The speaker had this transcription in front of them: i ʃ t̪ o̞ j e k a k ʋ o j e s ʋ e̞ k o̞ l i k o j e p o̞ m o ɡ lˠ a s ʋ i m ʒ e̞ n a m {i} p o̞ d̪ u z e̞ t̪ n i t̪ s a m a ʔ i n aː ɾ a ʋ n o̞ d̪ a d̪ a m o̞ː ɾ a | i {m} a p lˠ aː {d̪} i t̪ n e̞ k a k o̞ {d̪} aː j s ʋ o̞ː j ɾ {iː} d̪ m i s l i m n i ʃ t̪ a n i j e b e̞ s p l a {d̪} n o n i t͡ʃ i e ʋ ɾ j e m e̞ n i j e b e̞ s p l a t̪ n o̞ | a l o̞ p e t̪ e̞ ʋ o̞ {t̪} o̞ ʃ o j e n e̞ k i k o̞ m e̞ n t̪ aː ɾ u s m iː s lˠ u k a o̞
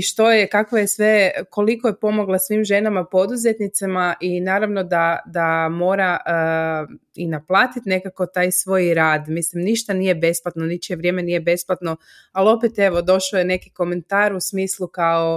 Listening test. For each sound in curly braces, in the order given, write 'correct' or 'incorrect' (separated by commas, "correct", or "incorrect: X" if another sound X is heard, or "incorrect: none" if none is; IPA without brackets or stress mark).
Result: incorrect: a, incorrect: n, incorrect: t̪, incorrect: t̪, incorrect: aː, incorrect: t̪, incorrect: d̪